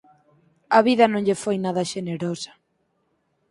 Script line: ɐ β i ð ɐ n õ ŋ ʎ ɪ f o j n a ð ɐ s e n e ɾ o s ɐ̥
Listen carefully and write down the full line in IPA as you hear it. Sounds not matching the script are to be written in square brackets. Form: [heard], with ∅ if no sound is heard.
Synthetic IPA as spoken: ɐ β i ð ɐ n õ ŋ ʎ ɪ f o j n a ð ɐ [ʃ] e n e ɾ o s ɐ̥